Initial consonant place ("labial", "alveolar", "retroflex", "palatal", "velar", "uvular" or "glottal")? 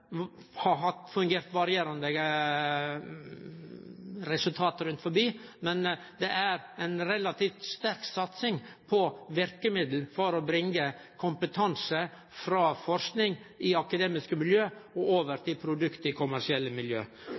glottal